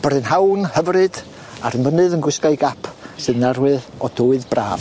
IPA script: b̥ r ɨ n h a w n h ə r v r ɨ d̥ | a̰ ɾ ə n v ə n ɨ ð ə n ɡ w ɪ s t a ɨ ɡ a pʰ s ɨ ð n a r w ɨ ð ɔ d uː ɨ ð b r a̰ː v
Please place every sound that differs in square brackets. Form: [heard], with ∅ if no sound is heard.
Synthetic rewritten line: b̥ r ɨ n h a w n h ə [∅] v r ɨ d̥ | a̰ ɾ ə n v ə n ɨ ð ə n ɡ w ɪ s [k] a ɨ ɡ a pʰ s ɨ ð n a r w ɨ ð ɔ d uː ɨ ð b r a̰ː v